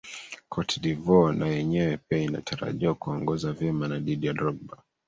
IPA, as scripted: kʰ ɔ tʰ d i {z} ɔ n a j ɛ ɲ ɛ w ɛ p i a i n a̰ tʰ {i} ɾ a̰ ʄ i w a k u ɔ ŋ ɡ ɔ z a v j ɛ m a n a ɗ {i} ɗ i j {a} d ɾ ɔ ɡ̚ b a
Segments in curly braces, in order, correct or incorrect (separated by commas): incorrect, incorrect, correct, correct